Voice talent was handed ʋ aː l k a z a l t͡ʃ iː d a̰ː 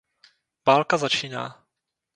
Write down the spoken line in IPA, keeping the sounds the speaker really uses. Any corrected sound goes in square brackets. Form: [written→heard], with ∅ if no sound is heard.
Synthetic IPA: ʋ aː l k a z a [l→∅] t͡ʃ iː [d→n] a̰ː